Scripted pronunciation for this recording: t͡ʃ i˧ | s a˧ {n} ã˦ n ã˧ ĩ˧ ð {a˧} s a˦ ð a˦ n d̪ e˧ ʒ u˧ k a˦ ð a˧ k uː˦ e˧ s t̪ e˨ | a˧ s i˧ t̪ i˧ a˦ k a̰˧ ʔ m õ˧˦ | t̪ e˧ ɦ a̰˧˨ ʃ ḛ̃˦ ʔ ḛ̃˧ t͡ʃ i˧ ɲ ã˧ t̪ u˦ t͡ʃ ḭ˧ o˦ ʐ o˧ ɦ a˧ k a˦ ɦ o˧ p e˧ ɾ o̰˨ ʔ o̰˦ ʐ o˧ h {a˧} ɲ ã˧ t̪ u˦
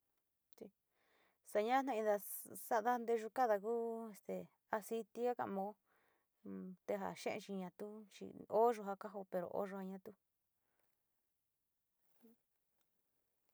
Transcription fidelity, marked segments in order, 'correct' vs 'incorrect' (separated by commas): incorrect, correct, correct